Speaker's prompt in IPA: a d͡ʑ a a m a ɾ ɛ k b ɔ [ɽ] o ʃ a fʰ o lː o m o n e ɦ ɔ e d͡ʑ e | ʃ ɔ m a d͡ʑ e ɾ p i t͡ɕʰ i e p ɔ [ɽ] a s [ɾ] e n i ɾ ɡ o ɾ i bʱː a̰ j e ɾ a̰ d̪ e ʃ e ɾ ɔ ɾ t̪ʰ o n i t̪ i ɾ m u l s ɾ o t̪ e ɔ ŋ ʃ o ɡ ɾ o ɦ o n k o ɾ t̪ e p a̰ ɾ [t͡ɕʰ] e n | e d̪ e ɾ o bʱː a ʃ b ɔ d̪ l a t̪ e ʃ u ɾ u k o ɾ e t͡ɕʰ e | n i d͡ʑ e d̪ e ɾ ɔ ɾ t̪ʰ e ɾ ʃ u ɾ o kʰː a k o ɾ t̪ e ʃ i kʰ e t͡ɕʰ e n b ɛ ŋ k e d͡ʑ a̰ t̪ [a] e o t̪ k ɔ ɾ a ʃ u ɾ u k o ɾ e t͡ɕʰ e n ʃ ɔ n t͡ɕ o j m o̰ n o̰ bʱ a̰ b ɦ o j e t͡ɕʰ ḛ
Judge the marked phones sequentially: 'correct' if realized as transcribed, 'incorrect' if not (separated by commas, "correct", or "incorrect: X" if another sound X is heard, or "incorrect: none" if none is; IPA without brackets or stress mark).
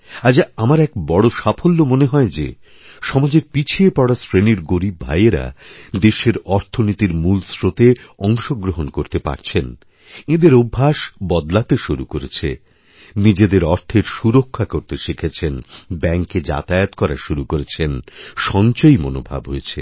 correct, correct, correct, correct, correct